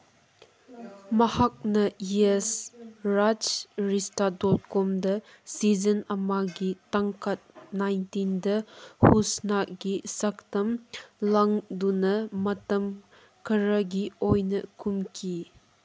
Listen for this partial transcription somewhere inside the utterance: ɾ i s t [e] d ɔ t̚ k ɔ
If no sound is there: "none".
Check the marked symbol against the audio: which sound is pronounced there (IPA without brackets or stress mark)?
a